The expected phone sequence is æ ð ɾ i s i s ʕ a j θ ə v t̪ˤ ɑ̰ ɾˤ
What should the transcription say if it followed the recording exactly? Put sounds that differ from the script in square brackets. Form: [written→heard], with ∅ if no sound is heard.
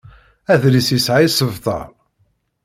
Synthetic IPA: æ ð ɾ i s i s ʕ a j [θ→s] ə v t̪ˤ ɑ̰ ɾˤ

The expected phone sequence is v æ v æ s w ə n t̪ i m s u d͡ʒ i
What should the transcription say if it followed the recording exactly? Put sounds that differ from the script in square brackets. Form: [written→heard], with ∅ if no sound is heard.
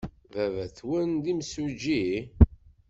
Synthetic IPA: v æ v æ [s→θ] w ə n [t̪→d̪] i m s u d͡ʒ i

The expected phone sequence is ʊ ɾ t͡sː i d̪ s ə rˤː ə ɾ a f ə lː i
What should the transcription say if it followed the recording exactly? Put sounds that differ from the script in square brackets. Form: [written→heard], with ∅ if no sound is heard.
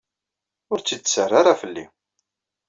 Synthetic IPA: ʊ ɾ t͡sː i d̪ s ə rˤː [ə→a] ɾ a f ə lː i

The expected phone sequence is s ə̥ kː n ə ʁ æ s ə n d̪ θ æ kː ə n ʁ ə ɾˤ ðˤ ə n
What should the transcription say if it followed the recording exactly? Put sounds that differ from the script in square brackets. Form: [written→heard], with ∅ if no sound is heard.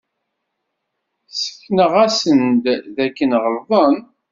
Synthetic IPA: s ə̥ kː n ə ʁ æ s ə n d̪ [θ→ð] æ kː ə n ʁ ə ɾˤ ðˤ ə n

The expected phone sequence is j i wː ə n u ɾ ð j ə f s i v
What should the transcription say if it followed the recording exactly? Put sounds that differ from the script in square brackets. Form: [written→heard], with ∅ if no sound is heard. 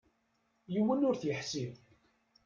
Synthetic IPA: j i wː ə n [u→ʊ] ɾ [ð→θ] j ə [f→ħ] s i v

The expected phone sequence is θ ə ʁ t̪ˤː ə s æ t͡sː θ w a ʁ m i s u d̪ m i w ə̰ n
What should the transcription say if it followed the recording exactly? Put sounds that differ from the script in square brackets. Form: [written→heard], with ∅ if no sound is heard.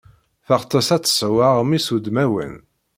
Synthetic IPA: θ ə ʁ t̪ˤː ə s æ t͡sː [θ→s] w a ʁ m i s u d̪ m [i→æ] w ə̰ n

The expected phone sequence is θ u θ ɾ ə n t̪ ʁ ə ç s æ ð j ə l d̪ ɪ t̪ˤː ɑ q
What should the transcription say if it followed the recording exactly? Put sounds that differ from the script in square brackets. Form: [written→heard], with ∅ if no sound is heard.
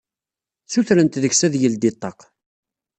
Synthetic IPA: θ u θ ɾ ə n t̪ [ʁ→ð] ə ç s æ ð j ə l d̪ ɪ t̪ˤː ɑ q

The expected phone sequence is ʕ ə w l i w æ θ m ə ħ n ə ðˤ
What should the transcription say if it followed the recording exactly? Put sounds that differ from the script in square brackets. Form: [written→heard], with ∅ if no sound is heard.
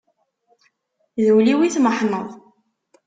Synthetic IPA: [ʕ→ð] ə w l i w [æ→i] θ m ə ħ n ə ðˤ

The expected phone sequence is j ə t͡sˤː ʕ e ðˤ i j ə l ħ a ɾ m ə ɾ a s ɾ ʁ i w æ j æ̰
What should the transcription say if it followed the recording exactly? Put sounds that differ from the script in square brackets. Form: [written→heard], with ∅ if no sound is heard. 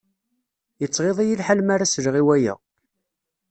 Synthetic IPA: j ə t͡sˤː [ʕ→ʁ] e ðˤ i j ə l ħ a [ɾ→l] m [ə→a] ɾ a s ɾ ʁ i w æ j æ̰

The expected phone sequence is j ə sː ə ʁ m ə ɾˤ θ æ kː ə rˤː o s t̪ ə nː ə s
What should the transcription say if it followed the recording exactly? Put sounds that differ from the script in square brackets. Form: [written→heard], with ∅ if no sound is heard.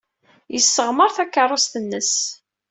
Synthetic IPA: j ə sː ə ʁ m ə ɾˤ θ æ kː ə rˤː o s t̪ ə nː ə s

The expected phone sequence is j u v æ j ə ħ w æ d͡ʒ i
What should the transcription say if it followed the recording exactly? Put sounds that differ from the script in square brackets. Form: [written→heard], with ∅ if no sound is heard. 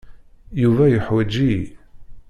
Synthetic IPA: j u v æ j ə ħ w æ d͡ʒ i

